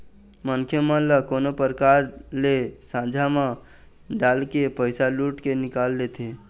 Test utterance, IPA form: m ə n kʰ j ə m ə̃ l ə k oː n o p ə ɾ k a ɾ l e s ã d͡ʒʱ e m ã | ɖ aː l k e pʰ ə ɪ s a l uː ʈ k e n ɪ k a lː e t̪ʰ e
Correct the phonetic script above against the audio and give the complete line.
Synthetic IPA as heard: m ə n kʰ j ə m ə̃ l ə k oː n o p ə ɾ k a ɾ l e s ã d͡ʒʱ a m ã | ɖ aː l k e p ə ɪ s a l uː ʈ k e n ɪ k a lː e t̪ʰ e